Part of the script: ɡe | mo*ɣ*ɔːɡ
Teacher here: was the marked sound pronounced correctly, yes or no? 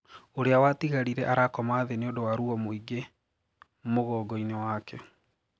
yes